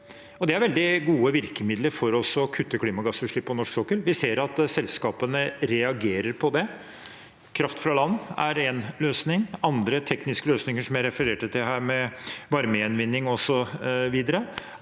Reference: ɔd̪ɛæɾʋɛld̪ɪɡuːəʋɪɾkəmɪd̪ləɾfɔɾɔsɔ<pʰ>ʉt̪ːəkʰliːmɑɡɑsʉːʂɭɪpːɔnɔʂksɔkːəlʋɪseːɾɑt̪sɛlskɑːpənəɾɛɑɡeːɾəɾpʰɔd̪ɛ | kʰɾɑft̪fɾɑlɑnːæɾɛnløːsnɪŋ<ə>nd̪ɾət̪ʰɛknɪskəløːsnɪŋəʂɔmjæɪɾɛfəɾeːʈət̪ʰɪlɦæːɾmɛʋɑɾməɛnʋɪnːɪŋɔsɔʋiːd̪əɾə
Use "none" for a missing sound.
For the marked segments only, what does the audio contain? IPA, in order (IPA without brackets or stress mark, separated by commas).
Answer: kʰ, ɑ